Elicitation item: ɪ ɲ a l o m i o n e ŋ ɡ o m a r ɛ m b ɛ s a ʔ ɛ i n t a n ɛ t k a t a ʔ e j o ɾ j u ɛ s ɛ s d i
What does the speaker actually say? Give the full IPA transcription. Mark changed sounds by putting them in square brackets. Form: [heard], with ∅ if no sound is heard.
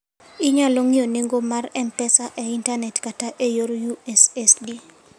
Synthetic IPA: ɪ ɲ a l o [ŋ] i o n e ŋ ɡ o m a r ɛ m [p] ɛ s a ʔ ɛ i n t a n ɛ t k a t a ʔ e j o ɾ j u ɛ s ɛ s d i